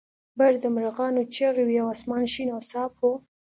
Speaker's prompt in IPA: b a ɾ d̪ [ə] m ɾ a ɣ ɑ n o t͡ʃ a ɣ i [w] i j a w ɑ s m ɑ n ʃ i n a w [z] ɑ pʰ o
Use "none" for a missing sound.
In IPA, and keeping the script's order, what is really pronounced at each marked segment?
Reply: ə, w, s

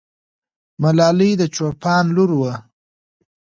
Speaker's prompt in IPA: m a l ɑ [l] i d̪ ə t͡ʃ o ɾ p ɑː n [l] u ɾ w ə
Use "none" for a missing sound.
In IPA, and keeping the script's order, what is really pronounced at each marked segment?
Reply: l, l

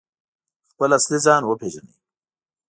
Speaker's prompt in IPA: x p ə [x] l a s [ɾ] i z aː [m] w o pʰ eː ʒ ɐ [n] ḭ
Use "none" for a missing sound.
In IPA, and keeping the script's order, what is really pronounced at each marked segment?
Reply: none, l, n, n

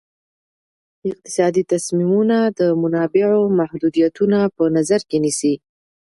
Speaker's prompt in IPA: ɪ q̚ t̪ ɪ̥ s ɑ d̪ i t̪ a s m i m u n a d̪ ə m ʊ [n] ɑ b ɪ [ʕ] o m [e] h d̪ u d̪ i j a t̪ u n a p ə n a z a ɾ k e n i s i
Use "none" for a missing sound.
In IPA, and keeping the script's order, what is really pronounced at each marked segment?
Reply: n, ʕ, a

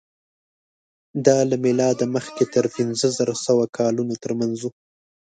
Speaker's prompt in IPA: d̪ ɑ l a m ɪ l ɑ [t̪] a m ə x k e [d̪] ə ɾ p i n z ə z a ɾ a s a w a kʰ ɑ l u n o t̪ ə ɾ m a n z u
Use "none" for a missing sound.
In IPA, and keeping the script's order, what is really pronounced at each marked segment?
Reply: d̪, t̪

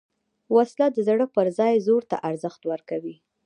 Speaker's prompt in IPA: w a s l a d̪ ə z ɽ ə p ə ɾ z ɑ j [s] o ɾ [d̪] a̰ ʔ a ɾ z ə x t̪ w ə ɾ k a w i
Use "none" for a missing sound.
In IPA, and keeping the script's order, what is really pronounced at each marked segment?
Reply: z, t̪

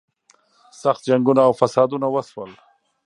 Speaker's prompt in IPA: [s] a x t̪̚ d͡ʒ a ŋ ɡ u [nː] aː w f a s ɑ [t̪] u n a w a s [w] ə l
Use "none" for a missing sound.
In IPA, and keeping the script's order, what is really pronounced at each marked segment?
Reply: s, n, d̪, w

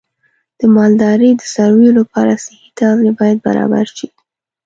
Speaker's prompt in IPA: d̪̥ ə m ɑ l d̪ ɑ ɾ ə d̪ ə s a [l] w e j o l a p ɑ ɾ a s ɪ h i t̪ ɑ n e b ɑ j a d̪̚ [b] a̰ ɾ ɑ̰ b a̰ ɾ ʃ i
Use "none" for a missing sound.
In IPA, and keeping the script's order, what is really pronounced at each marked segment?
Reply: ɾ, b

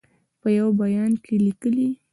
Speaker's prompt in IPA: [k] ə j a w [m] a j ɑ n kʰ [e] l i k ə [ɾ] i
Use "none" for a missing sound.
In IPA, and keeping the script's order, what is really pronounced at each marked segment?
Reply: p, b, e, l

